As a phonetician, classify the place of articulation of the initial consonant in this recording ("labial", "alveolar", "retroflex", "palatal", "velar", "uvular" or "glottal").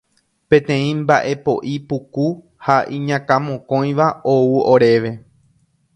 labial